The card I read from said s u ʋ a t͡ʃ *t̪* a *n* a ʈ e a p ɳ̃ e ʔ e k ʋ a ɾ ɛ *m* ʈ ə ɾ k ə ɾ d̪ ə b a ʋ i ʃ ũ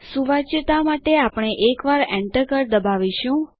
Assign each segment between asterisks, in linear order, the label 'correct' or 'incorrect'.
correct, incorrect: m, incorrect: ɳ

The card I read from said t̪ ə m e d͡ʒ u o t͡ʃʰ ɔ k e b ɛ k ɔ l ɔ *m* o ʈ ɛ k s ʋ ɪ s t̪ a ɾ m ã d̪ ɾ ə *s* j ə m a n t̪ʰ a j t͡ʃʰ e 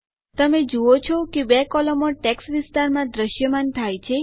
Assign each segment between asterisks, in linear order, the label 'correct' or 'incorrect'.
correct, incorrect: ʃ

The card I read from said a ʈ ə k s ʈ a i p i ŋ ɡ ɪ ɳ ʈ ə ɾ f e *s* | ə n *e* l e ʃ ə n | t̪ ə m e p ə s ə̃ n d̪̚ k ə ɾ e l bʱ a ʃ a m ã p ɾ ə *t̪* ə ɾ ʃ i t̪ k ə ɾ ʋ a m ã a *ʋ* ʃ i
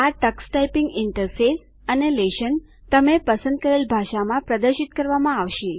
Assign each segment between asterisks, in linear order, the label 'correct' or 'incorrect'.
correct, correct, incorrect: d̪, correct

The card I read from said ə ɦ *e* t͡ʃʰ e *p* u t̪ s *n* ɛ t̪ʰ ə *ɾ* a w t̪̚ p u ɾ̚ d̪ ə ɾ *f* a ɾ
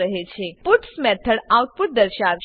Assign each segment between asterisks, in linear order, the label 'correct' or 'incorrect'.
correct, correct, incorrect: m, incorrect: ɽ, incorrect: ʃ

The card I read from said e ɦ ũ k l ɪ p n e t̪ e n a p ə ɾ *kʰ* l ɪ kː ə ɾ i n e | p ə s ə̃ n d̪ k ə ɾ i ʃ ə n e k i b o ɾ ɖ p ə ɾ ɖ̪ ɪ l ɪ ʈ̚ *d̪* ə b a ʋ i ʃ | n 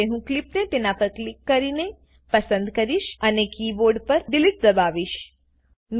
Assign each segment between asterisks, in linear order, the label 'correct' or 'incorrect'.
incorrect: k, correct

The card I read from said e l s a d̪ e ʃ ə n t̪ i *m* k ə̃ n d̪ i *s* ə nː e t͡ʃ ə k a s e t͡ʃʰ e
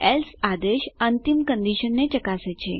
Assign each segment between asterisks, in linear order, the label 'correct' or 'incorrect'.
correct, incorrect: ʃ

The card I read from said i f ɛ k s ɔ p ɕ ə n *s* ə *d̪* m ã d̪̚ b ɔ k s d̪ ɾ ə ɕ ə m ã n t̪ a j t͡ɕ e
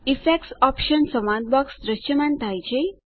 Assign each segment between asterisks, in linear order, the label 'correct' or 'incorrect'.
correct, incorrect: none

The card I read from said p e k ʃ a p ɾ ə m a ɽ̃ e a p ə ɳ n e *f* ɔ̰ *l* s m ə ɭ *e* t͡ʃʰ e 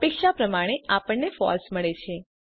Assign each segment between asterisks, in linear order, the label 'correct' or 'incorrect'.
correct, correct, correct

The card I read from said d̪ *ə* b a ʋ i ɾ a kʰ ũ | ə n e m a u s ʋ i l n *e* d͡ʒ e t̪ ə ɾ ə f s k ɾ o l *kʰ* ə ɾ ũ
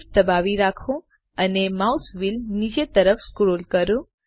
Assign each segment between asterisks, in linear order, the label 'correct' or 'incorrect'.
correct, incorrect: i, incorrect: k

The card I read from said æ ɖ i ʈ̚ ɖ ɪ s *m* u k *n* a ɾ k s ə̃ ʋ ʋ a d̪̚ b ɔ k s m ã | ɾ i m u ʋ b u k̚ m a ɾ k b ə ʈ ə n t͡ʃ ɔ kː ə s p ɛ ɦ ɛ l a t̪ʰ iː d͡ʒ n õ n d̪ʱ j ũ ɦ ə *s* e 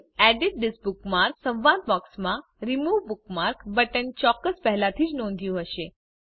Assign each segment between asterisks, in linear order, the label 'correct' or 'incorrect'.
incorrect: b, incorrect: m, incorrect: ʃ

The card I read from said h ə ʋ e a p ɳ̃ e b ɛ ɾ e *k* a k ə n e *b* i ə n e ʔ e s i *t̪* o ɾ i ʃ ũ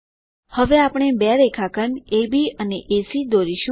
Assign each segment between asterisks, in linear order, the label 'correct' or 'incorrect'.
incorrect: kʰ, correct, incorrect: d̪

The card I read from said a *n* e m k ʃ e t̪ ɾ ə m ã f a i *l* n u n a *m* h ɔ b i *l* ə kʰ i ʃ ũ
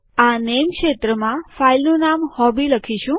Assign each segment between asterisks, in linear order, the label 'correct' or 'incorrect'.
correct, correct, correct, correct

